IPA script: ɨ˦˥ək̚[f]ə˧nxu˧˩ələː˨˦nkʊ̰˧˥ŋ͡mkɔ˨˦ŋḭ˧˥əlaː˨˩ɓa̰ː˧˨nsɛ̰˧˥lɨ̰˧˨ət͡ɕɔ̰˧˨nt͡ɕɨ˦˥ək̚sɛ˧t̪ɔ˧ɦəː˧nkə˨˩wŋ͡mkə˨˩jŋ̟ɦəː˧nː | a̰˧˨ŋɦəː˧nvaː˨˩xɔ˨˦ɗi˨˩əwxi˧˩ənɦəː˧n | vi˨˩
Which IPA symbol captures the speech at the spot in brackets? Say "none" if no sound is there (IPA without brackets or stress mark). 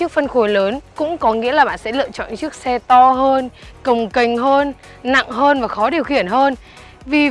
f